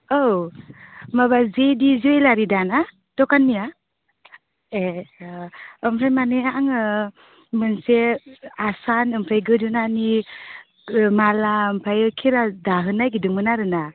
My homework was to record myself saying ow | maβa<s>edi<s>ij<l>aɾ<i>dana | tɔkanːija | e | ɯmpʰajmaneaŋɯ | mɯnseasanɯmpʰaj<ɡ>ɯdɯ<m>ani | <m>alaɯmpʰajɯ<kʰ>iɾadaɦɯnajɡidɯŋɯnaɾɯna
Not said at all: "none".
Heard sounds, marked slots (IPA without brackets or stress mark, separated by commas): z, z, l, i, ɡ, n, m, kʰ